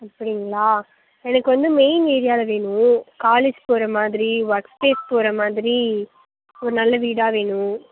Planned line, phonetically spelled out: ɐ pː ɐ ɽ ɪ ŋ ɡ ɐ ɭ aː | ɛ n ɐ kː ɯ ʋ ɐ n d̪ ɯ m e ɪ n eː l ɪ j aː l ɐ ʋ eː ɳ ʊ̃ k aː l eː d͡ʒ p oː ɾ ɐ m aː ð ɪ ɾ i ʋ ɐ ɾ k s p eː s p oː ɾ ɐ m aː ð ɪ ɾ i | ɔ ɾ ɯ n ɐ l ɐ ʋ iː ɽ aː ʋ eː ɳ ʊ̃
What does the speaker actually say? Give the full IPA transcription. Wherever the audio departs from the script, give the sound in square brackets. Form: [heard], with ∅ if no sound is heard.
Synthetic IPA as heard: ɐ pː ɐ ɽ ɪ ŋ ɡ ɐ ɭ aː | ɛ n ɐ kː ɯ ʋ ɐ n d̪ ɯ m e ɪ n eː [ɾ] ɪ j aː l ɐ ʋ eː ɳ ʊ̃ k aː l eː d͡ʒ p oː ɾ ɐ m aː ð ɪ ɾ i ʋ ɐ ɾ k s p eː s p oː ɾ ɐ m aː ð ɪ ɾ i | ɔ ɾ ɯ n ɐ [lː] ɐ ʋ iː ɽ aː ʋ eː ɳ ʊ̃